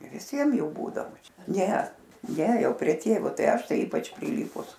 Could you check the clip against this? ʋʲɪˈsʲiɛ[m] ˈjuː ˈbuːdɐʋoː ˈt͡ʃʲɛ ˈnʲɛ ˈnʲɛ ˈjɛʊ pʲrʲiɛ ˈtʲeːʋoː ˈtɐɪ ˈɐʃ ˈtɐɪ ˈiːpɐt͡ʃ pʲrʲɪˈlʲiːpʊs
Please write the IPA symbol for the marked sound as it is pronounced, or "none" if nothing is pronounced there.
m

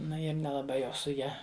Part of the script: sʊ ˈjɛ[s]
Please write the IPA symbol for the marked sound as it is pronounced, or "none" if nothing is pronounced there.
none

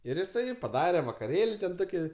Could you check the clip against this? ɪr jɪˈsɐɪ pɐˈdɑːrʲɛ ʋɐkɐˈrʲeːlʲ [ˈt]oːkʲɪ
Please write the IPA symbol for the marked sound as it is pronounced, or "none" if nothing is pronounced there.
t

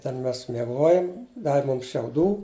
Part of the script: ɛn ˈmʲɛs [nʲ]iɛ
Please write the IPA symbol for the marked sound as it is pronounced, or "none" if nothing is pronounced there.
mʲ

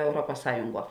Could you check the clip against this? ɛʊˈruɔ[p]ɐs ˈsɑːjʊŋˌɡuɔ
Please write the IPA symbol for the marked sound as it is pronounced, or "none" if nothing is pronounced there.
p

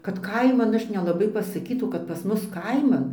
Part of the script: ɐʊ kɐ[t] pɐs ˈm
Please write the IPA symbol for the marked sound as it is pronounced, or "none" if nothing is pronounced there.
t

